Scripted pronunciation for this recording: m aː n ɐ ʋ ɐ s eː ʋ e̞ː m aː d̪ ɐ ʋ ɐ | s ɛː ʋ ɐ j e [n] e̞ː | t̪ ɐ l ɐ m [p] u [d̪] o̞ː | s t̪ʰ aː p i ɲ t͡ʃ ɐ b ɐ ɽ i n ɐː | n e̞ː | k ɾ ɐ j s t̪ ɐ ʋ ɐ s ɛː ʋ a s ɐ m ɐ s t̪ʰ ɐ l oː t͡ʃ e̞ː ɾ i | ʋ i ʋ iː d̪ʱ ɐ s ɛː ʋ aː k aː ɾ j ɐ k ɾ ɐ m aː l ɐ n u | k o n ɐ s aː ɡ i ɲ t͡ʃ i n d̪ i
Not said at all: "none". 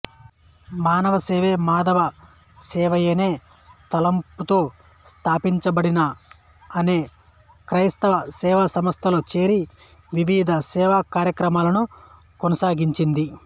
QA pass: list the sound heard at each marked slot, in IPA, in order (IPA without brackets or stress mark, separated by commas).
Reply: n, p, t̪